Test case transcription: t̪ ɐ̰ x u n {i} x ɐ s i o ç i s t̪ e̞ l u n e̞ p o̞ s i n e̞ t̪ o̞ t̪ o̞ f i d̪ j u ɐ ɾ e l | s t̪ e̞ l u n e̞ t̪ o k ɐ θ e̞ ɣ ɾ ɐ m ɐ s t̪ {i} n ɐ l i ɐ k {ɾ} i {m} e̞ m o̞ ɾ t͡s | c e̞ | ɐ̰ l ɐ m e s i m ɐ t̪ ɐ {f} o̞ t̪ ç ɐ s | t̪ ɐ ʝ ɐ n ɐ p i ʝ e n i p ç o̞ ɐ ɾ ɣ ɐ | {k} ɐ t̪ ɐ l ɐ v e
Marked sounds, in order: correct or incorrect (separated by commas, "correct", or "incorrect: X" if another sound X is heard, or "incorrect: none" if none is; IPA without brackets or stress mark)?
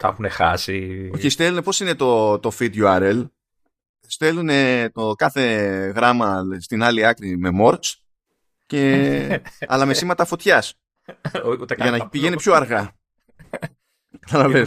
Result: incorrect: e, correct, correct, correct, correct, correct